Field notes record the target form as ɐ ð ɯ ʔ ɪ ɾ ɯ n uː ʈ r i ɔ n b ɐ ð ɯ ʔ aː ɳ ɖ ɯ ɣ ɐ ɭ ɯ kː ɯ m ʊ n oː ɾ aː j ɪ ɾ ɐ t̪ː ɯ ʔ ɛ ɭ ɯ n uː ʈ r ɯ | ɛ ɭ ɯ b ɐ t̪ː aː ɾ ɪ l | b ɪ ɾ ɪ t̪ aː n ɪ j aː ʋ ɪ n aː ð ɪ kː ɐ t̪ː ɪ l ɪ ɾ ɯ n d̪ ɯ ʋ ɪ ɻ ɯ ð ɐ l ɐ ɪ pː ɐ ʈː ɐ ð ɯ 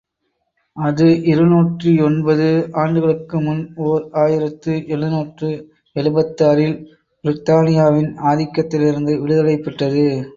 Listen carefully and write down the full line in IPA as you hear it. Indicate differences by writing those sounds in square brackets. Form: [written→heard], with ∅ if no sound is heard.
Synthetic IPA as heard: ɐ ð ɯ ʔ ɪ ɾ ɯ n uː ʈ r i ɔ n b ɐ ð ɯ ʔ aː ɳ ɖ ɯ ɣ ɐ ɭ ɯ kː ɯ m ʊ n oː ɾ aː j ɪ ɾ ɐ t̪ː ɯ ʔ ɛ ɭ ɯ n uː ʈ r ɯ | ɛ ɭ ɯ b ɐ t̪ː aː ɾ ɪ l | b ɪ ɾ ɪ t̪ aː n ɪ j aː ʋ ɪ n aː ð ɪ kː ɐ t̪ː ɪ l ɪ ɾ ɯ n d̪ ɯ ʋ ɪ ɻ ɯ ð ɐ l ɐ ɪ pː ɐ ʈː ɐ ð ɯ